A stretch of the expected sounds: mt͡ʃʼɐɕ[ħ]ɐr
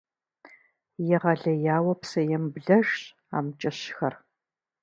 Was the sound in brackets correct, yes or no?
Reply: no